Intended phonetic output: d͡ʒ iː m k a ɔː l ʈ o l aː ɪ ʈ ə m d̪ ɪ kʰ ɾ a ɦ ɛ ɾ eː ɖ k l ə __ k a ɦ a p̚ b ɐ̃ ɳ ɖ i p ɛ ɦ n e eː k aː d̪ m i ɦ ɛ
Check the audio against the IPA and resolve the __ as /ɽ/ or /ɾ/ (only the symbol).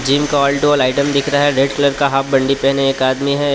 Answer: ɾ